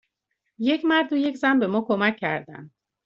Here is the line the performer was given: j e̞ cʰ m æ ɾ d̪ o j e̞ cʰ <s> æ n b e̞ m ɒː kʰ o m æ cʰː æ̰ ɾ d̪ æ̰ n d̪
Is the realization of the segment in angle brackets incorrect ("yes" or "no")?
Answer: yes